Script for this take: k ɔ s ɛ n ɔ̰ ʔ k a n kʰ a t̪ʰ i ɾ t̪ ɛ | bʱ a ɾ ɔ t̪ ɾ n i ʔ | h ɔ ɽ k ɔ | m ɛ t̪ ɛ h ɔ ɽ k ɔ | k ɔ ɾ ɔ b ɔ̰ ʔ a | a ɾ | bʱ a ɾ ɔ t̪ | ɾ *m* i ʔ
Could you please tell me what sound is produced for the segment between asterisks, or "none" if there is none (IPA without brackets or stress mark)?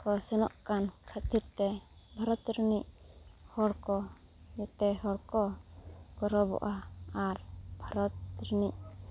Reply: n